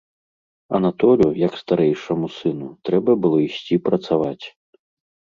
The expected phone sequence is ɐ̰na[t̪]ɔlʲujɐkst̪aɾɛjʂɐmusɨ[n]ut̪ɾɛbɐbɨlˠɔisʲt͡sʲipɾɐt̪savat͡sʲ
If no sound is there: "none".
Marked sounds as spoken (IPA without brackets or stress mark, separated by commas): t̪, n